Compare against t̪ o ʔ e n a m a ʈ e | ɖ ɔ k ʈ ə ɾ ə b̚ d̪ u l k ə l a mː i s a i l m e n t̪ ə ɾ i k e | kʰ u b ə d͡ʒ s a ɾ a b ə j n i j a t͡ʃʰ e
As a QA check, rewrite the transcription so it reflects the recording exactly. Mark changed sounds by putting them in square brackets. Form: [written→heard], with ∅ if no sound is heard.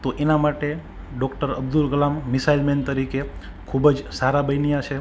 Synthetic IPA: t̪ o ʔ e n a m a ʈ e | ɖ ɔ k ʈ ə ɾ ə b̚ d̪ u l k ə l a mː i s a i l m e n t̪ ə ɾ i k e | kʰ u b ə d͡ʒ s a ɾ a b ə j n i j a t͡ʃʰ e

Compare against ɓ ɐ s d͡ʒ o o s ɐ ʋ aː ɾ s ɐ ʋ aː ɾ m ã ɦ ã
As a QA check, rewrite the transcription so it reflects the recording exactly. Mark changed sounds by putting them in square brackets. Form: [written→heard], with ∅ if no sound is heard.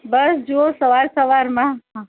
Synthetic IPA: [ɓ→b] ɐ s d͡ʒ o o s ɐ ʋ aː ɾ s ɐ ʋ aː ɾ m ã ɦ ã

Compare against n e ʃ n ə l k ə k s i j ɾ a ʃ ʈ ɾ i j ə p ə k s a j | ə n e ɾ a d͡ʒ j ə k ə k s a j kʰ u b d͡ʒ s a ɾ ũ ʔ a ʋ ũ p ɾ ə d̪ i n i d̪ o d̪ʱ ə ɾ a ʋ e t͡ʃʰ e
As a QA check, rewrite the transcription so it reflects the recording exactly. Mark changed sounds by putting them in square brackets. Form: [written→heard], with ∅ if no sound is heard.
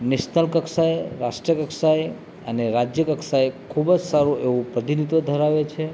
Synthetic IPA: n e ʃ n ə l k ə k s [i→a] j ɾ a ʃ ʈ ɾ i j ə [p→k] ə k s a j | ə n e ɾ a d͡ʒ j ə k ə k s a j kʰ u b d͡ʒ s a ɾ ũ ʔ [a→e] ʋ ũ p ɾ ə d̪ i n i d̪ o d̪ʱ ə ɾ a ʋ e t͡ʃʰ e

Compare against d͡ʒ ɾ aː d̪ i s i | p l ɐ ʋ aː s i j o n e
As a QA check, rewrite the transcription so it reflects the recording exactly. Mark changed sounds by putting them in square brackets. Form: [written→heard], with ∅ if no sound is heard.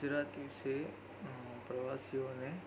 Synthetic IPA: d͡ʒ ɾ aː [d̪→t̪] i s [i→e] | p [l→ɾ] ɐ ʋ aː s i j o n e

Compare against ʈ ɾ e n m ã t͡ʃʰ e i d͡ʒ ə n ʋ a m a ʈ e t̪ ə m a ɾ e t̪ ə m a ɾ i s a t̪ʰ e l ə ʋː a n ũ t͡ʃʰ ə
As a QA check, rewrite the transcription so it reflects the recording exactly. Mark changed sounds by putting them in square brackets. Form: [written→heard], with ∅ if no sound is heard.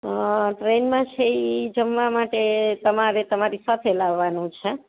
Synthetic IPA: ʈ ɾ e n m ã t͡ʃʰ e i d͡ʒ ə [n→m] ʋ a m a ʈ e t̪ ə m a ɾ e t̪ ə m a ɾ i s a t̪ʰ e l [ə→a] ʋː a n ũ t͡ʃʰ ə

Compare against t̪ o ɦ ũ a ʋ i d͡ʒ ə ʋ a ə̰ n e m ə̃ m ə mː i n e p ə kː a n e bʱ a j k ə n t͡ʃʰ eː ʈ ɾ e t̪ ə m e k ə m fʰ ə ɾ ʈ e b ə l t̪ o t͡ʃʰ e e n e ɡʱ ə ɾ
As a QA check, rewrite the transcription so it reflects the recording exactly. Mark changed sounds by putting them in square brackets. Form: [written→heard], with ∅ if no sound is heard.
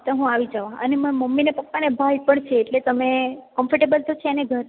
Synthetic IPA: t̪ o ɦ ũ a ʋ i d͡ʒ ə ʋ a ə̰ n e m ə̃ m ə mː i n e p ə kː a n e bʱ a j [k→p] ə [n→ɳ] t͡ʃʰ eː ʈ [ɾ→l] e t̪ ə m e k ə m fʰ ə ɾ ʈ e b ə l t̪ o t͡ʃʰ e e n e ɡʱ ə ɾ

